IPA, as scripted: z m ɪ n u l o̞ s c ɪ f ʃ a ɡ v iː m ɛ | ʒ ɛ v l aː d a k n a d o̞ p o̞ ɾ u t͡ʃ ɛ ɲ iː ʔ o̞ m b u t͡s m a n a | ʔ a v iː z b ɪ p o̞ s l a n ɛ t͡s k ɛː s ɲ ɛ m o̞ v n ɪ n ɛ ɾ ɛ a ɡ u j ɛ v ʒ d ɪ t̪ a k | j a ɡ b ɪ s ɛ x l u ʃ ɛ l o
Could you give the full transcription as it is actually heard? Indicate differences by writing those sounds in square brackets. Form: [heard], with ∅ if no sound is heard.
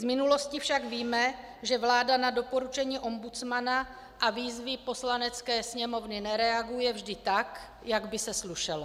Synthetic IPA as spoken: z m ɪ n u l o̞ s c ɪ f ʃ a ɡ v iː m ɛ | ʒ ɛ v l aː d a [∅] n a d o̞ p o̞ ɾ u t͡ʃ ɛ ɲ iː ʔ o̞ m b u t͡s m a n a | ʔ a v iː z [v] ɪ p o̞ s l a n ɛ t͡s k ɛː s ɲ ɛ m o̞ v n ɪ n ɛ ɾ ɛ a ɡ u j ɛ v ʒ d ɪ t̪ a k | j a ɡ b ɪ s ɛ [s] l u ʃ ɛ l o